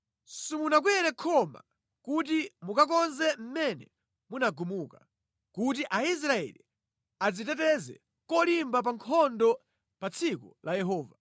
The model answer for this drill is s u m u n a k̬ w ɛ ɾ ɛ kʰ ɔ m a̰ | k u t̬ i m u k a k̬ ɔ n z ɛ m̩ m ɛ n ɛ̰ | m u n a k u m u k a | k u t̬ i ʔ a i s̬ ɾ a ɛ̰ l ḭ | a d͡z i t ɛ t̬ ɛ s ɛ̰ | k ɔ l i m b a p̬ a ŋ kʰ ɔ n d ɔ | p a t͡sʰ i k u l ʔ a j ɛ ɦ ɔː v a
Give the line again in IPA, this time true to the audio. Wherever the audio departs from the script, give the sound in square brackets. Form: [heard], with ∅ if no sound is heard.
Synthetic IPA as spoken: s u m u n a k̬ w ɛ ɾ ɛ kʰ ɔ m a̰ | k u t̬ i m u k a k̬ ɔ n z ɛ m̩ m ɛ n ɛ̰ | m u n a [ɡ] u m u k a | k u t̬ i ʔ a i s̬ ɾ a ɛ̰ l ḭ | a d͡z i t ɛ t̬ ɛ [z] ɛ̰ | k ɔ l i m b a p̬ a ŋ kʰ ɔ n d ɔ | p a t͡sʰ i k u l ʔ a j ɛ ɦ ɔː v a

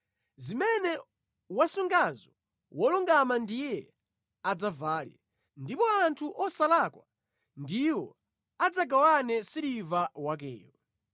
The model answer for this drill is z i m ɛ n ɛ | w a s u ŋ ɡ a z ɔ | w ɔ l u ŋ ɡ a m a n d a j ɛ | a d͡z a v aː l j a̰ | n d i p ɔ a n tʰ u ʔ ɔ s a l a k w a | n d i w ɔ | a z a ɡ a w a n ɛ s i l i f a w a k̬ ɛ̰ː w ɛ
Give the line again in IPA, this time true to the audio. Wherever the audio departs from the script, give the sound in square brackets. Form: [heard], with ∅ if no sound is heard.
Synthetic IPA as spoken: z i m ɛ n ɛ | w a s u ŋ ɡ a z ɔ | w ɔ l u ŋ ɡ a m a n d [i] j ɛ | a d͡z a v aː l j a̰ | n d i p ɔ a n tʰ u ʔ ɔ s a l a k w a | n d i w ɔ | a [d͡z] a ɡ a w a n ɛ s i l i [v] a w a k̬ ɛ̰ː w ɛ

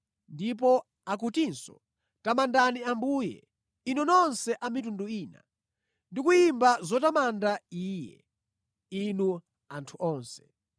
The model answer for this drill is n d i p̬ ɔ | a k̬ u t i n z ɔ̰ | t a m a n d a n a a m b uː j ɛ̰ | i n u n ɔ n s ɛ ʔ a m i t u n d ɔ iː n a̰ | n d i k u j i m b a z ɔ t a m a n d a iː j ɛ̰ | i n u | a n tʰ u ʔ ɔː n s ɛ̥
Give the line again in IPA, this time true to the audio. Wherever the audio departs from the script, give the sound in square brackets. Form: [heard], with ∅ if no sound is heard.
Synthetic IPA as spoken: n d i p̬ ɔ | a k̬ u t i n [s] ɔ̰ | t a m a n d a n [i] a m b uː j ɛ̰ | i n u n ɔ n s ɛ ʔ a m i t u n d [u] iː n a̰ | n d i k u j i m b a z ɔ t a m a n d a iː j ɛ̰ | i n u | a n tʰ u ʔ ɔː n s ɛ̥

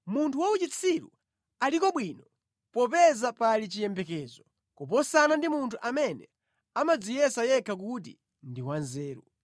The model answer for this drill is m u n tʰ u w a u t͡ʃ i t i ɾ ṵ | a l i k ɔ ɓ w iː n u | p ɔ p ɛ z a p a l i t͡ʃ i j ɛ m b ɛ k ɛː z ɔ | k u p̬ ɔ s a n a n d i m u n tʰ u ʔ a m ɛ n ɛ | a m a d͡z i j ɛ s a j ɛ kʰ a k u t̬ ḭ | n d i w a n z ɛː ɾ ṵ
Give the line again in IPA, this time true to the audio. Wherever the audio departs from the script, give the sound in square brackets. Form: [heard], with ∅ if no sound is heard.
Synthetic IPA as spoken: m u n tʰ u w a u t͡ʃ i [t͡sʰ] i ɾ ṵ | a l i k ɔ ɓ w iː n [ɔ] | p ɔ p ɛ z a p a l i t͡ʃ i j ɛ m b ɛ k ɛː z ɔ | k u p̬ ɔ s a n a n d i m u n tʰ u ʔ a m ɛ n ɛ | a m a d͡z i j ɛ s a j ɛ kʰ a k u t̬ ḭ | n d i w a n z ɛː ɾ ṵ

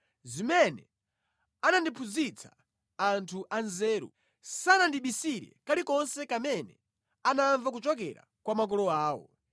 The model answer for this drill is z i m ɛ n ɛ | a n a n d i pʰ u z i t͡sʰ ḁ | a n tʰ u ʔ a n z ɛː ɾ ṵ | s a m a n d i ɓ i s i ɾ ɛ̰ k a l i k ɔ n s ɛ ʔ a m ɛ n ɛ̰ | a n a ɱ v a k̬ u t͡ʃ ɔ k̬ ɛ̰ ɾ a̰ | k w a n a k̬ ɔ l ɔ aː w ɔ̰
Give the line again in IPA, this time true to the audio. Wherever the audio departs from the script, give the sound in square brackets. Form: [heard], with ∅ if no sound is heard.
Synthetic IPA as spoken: z i m ɛ n ɛ | a n a n d i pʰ u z i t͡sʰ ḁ | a n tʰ u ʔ a n z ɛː ɾ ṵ | s a [n] a n d i ɓ i s i ɾ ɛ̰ k a l i k ɔ n s ɛ [k] a m ɛ n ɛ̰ | a n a ɱ v a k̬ u t͡ʃ ɔ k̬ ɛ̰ ɾ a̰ | k w a [m] a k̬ ɔ l ɔ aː w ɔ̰

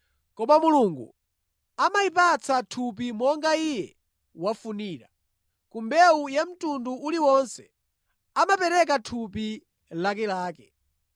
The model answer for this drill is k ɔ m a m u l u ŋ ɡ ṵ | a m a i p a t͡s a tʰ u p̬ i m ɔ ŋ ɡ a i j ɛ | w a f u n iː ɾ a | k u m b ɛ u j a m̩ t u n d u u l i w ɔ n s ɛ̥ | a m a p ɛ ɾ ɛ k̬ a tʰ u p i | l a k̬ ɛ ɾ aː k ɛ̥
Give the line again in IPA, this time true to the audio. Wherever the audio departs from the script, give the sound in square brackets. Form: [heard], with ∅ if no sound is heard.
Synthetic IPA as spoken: k ɔ m a m u l u ŋ ɡ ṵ | a m a i p a t͡s a tʰ u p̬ i m ɔ ŋ ɡ a i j ɛ | w a f u n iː ɾ a | k u m b ɛ u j a m̩ t u n d u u l i w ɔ n s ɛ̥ | a m a p ɛ ɾ ɛ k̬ a tʰ u p i | l a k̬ ɛ [l] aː k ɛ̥

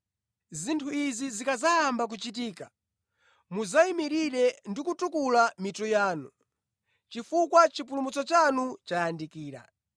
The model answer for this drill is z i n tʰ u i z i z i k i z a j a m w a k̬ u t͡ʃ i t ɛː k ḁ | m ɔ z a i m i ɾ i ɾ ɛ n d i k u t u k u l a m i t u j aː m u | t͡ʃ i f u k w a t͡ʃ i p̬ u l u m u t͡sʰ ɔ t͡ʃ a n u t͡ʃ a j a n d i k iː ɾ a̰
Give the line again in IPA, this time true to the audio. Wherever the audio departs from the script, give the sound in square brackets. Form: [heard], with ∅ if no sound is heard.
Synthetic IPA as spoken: z i n tʰ u i z i z i k [a] z a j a m [b] a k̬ u t͡ʃ i t [iː] k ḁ | m [u] z a i m i ɾ i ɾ ɛ n d i k u t u k u l a m i t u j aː [n] u | t͡ʃ i f u k w a t͡ʃ i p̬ u l u m u [t͡s] ɔ t͡ʃ a n u t͡ʃ a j a n d i k iː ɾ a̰

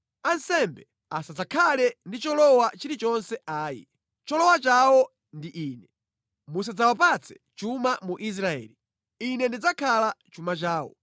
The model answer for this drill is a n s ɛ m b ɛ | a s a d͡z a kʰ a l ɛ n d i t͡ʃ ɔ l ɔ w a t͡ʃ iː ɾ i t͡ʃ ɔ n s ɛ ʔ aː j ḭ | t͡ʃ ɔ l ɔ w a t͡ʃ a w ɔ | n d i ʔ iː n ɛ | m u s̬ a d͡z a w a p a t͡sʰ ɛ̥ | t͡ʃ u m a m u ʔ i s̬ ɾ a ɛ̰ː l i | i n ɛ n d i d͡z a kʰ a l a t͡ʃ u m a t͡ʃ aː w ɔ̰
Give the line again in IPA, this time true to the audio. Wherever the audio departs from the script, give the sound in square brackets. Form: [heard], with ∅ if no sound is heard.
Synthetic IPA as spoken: a n s ɛ m b ɛ | a s a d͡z a kʰ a l ɛ n d i t͡ʃ ɔ l ɔ w a t͡ʃ [i] ɾ i t͡ʃ ɔ n s ɛ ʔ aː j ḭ | t͡ʃ ɔ l ɔ w a t͡ʃ a w ɔ | n d i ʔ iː n ɛ | m u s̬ a d͡z a w a p a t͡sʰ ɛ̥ | t͡ʃ u m a m u ʔ i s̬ ɾ a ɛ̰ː l i | i n ɛ n d i d͡z a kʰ a l a t͡ʃ u m a t͡ʃ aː w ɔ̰

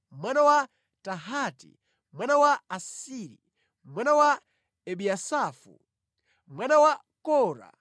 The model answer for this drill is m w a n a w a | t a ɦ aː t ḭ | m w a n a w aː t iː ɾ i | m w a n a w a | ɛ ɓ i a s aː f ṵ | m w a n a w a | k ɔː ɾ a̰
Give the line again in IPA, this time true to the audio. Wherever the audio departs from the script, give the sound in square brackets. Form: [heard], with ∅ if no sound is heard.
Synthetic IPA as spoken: m w a n a w a | t a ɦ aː t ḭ | m w a n a w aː [s] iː ɾ i | m w a n a w a | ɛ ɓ i a s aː f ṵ | m w a n a w a | k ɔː ɾ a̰

